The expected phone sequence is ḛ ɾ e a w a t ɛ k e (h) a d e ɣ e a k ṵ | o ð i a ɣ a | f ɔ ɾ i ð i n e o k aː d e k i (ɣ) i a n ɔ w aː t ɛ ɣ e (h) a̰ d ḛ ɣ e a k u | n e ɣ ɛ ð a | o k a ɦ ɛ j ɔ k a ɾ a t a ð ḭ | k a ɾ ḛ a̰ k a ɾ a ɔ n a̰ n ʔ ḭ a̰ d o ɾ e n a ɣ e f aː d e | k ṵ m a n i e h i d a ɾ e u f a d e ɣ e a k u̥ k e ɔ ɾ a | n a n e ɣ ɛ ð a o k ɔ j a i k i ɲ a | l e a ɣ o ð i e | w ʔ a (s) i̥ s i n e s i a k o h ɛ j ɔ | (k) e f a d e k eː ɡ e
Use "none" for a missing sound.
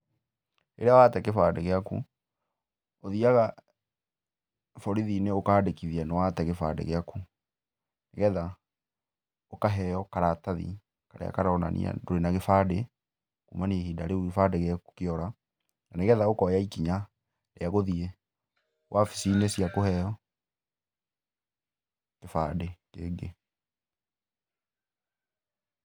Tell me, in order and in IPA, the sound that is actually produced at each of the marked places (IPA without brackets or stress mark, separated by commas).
f, ð, f, f, k